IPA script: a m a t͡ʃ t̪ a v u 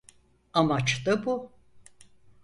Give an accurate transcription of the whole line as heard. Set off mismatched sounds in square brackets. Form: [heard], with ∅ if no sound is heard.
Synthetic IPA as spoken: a m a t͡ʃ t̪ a [b] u